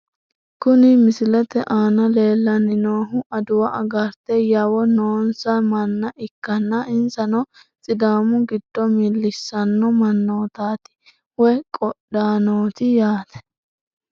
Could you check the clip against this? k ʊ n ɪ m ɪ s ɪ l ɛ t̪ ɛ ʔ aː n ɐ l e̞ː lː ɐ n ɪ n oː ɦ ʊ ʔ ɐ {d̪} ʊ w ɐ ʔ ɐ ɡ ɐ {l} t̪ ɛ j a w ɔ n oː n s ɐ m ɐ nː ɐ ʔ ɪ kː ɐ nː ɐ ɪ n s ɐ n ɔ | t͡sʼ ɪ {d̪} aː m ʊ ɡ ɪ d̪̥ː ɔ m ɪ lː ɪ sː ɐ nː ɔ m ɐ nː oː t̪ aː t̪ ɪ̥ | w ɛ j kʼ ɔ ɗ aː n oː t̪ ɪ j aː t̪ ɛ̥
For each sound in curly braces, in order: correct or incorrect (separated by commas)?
correct, incorrect, correct